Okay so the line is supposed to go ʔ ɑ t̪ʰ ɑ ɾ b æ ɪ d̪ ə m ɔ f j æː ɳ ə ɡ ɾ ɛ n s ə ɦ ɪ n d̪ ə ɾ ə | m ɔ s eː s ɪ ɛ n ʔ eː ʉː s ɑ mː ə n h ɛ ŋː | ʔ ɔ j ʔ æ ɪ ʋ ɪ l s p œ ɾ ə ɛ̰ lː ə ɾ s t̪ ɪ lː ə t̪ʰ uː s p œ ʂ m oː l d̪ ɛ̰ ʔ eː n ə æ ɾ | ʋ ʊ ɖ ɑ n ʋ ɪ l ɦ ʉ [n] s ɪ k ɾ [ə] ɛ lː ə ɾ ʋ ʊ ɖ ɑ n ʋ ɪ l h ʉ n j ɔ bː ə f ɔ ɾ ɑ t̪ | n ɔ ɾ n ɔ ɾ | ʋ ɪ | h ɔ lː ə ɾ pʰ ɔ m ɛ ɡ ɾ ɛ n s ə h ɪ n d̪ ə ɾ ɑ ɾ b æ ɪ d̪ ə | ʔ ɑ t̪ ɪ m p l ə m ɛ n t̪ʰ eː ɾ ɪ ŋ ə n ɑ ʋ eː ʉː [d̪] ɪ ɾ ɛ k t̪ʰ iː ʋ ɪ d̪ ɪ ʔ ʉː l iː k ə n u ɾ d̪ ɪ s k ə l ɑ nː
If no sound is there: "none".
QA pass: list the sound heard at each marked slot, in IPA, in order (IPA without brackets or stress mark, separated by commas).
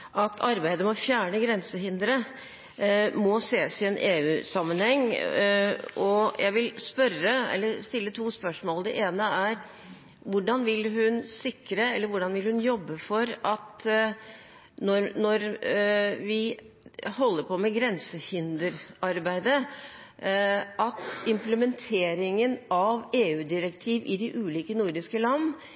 n, ə, d̪